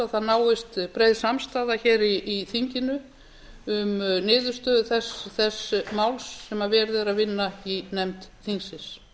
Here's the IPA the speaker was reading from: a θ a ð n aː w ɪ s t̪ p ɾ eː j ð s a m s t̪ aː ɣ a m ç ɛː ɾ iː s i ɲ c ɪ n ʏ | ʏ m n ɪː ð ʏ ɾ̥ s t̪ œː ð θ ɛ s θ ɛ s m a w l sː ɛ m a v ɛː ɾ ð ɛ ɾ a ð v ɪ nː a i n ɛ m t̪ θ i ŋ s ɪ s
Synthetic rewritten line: a θ a ð n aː w ɪ s t̪ p ɾ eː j ð s a m s t̪ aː ð a ç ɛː ɾ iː θ i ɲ c ɪ n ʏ | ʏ m n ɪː ð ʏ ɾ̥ s t̪ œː ð θ ɛ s θ ɛ s m a w l sː ɛ m a v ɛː ɾ ð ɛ ɾ a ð v ɪ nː a i n ɛ m t̪ θ i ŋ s ɪ s